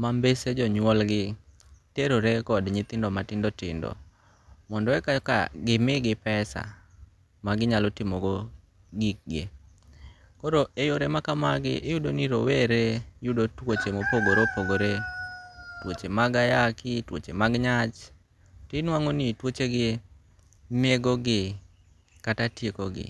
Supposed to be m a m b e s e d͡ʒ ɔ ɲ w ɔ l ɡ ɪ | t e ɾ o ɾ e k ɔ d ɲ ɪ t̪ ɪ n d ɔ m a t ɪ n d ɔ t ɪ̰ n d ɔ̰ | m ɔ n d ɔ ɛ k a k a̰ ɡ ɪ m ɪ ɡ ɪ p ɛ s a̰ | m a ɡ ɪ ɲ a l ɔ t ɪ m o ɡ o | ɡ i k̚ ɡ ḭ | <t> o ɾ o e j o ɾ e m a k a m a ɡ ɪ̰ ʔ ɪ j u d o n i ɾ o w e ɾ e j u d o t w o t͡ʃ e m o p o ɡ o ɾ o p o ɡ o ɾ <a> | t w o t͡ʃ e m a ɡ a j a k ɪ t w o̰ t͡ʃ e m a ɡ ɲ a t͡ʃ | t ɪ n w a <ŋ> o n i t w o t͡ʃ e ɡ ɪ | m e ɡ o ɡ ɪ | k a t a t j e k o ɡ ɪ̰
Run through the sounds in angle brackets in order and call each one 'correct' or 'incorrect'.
incorrect: k, incorrect: e, correct

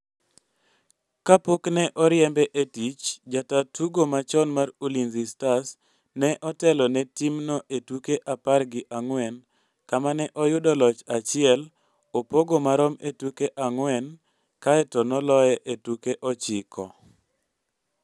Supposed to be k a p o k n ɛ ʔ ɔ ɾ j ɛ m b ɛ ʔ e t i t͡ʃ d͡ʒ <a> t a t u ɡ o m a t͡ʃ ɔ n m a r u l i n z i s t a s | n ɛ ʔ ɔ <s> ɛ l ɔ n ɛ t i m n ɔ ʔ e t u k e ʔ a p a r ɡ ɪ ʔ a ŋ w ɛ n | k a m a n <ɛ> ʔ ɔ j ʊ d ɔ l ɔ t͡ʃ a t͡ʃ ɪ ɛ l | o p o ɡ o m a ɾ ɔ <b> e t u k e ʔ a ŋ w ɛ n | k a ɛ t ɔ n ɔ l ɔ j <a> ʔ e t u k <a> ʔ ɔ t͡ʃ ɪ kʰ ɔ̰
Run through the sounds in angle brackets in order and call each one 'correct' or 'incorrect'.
correct, incorrect: t, correct, incorrect: m, incorrect: ɛ, incorrect: e

